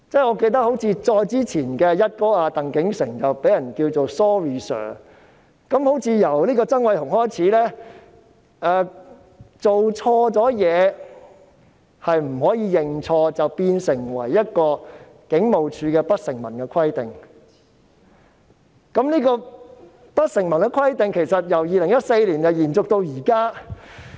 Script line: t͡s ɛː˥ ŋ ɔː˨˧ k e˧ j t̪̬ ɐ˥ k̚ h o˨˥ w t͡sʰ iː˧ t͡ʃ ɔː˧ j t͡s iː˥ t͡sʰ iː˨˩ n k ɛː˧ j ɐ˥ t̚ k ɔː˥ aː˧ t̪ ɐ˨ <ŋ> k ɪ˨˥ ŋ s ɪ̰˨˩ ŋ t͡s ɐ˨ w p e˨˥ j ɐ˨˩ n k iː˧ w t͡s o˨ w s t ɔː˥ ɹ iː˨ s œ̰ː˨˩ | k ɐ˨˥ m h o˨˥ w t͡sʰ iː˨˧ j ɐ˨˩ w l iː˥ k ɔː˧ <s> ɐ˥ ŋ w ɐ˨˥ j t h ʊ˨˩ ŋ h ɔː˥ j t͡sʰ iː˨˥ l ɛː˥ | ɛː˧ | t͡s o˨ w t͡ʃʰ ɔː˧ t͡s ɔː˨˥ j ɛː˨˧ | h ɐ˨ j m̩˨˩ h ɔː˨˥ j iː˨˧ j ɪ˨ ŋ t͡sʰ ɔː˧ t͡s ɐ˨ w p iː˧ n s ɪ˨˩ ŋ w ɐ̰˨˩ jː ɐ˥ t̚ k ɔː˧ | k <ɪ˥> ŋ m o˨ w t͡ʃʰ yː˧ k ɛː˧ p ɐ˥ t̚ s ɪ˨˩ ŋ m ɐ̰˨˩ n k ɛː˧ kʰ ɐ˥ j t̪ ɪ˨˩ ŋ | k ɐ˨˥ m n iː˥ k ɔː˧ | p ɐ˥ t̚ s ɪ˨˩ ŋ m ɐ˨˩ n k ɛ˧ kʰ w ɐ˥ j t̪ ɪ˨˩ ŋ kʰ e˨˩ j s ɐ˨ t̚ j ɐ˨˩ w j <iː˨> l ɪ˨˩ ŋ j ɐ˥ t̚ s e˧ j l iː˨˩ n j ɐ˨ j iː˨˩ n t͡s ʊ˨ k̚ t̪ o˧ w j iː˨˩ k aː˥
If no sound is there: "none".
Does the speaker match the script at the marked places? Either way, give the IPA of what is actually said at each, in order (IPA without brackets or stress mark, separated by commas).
ŋ, t͡s, ɪ˨˥, iː˨